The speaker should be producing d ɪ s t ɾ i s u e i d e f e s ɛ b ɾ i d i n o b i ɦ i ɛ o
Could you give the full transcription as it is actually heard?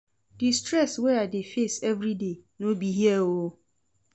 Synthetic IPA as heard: d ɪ s t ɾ ɛ s w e a d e f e s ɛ v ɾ i d e n o b i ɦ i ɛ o